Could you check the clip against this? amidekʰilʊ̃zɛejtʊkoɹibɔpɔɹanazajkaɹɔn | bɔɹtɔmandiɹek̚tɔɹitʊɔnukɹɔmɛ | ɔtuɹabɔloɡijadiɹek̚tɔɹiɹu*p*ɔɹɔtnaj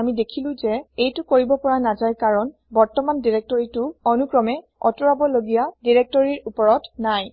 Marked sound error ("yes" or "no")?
no